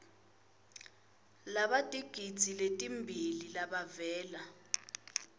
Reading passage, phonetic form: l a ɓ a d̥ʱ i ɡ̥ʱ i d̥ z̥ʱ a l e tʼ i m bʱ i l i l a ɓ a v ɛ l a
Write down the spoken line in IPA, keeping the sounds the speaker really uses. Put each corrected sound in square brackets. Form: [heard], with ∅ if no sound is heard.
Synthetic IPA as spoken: l a ɓ a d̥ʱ i ɡ̥ʱ i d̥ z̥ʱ [i] l e tʼ i m bʱ i l i l a ɓ a v [ɛː] l a